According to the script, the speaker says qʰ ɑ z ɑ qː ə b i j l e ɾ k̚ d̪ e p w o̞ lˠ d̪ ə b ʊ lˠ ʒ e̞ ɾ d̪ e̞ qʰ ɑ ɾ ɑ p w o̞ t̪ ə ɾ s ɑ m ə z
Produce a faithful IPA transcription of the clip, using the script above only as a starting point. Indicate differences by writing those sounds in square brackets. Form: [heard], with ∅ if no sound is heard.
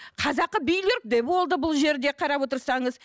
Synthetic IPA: qʰ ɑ z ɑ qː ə b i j l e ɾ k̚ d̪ e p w o̞ lˠ d̪ ə b ʊ lˠ ʒ e̞ ɾ d̪ e̞ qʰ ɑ ɾ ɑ p w o̞ t̪ ə ɾ s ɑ [ɴ] ə z